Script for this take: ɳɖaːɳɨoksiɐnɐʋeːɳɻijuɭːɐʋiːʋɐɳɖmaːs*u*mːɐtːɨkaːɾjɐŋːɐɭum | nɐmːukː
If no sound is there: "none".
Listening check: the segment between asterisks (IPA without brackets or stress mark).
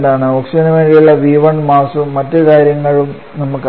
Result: u